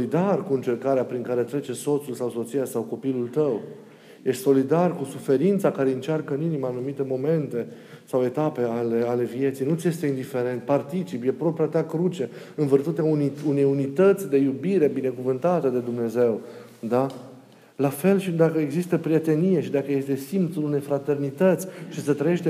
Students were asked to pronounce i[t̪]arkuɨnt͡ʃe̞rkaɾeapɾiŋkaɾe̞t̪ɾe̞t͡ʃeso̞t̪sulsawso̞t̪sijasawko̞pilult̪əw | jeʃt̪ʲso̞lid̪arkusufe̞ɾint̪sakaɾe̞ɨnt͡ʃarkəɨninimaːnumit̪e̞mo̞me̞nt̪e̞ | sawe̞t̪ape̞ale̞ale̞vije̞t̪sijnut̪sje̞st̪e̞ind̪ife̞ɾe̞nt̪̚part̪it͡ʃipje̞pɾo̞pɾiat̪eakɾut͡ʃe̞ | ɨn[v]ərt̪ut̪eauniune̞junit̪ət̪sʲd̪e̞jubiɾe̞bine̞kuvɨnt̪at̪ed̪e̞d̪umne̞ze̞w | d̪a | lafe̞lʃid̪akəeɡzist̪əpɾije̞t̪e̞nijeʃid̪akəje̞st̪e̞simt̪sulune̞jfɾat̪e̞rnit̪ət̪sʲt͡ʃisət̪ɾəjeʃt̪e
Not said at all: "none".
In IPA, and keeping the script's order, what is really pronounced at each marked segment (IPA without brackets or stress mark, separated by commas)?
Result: d̪, v